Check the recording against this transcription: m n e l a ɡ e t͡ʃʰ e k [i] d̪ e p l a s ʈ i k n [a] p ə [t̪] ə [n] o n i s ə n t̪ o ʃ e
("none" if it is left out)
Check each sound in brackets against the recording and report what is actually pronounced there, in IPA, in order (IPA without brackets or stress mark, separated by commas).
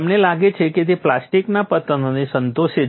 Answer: e, a, t̪, n